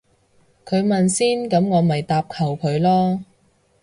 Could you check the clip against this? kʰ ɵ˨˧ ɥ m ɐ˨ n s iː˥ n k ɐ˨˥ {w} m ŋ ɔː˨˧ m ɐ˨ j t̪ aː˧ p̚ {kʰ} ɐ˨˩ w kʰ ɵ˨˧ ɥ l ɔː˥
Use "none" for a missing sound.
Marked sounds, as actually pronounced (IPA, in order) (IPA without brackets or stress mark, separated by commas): none, kʰ